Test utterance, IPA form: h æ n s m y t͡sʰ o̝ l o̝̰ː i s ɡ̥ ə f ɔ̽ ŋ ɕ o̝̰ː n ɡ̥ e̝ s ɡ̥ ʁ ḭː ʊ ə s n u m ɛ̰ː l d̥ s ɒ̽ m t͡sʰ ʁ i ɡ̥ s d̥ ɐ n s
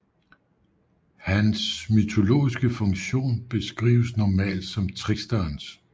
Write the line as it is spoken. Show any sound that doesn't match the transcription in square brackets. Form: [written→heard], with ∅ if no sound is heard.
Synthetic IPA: h æ n s m y t͡sʰ o̝ l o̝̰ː i s ɡ̥ ə f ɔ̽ ŋ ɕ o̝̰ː n [ɡ̥→b̥] e̝ s ɡ̥ ʁ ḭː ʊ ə s n [u→ɒ] m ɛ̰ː l d̥ s ɒ̽ m t͡sʰ ʁ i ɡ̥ s d̥ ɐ n s